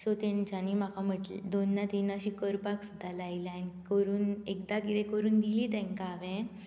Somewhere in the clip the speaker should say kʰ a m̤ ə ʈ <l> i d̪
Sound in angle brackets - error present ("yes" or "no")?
no